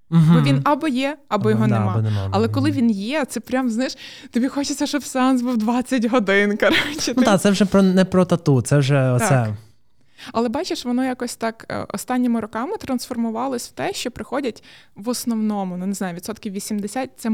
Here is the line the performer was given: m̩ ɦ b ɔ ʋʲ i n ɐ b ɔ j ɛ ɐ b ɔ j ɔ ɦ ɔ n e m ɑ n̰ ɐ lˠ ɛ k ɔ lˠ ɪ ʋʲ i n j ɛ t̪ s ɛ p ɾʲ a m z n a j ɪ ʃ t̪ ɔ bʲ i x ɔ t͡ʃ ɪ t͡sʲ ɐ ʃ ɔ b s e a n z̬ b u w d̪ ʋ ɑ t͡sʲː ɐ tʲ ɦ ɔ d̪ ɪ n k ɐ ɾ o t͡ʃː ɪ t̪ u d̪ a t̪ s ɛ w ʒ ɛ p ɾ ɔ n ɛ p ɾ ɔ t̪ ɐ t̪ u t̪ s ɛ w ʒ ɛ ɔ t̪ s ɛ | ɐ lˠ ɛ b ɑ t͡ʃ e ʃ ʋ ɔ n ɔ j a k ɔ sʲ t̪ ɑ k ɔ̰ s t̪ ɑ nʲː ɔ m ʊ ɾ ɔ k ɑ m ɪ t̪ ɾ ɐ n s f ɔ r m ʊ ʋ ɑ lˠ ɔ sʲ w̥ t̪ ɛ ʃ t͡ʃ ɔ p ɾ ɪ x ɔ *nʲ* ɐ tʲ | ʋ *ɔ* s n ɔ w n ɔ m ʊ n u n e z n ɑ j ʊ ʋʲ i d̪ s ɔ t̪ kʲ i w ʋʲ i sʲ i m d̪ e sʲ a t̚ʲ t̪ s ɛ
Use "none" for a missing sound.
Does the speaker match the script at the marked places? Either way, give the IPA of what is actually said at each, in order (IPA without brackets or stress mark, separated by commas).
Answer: dʲ, ɔ